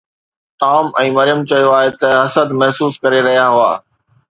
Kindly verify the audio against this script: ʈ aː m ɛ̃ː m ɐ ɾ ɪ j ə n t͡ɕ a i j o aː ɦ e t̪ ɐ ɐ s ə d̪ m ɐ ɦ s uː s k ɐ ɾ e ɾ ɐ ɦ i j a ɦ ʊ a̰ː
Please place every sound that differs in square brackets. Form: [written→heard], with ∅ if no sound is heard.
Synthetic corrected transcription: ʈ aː m ɛ̃ː m ɐ ɾ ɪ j ə [n→m] t͡ɕ [a→ɐ] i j o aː ɦ e t̪ ɐ ɐ s ə d̪ m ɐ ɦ s uː s k ɐ ɾ e ɾ ɐ ɦ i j a ɦ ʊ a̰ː